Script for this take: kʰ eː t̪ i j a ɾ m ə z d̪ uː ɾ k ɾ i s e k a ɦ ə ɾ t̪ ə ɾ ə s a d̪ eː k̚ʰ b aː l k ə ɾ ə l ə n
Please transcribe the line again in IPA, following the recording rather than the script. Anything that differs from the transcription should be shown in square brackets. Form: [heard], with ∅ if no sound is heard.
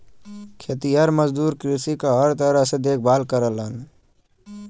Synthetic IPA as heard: kʰ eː t̪ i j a ɾ m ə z d̪ uː ɾ k ɾ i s [i] k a ɦ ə ɾ t̪ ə ɾ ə s [e] d̪ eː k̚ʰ b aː l k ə ɾ ə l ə n